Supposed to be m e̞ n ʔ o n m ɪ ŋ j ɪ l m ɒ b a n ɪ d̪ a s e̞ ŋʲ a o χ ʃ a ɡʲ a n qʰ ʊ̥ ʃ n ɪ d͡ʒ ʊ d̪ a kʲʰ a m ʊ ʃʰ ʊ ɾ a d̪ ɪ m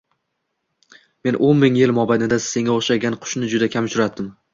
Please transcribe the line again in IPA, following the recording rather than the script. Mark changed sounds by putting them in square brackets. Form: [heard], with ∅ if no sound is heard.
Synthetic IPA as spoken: m e̞ n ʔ o n m ɪ ŋ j ɪ l m ɒ b a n ɪ d̪ a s e̞ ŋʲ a o χ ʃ a ɡʲ a n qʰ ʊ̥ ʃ n ɪ d͡ʒ ʊ d̪ a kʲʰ a m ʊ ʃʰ ʊ ɾ a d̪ ɪ m